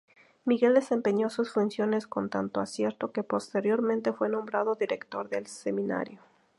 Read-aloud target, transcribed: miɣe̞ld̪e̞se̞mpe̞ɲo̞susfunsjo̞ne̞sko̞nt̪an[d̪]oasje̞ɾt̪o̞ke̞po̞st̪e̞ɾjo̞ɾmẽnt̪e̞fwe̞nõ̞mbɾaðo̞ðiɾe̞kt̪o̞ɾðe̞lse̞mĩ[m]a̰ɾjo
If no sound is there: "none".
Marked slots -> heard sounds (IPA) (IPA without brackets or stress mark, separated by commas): t̪, n